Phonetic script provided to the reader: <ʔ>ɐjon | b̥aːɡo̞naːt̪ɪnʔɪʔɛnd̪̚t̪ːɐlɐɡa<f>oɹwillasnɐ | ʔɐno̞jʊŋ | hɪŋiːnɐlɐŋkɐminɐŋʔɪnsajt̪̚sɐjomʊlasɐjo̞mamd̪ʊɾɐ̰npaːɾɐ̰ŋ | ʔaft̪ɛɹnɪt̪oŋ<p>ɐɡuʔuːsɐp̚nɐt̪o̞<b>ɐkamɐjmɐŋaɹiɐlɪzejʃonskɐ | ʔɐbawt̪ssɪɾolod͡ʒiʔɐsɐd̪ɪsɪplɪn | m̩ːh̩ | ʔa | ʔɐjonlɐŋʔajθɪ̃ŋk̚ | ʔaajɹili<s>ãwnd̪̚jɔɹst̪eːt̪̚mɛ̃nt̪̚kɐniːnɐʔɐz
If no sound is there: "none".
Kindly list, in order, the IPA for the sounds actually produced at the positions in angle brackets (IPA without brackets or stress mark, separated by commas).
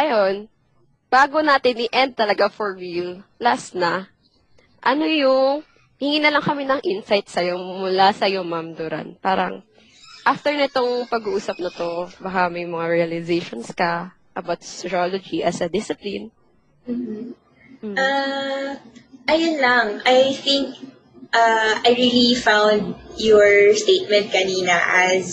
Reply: ʔ, f, p, b, f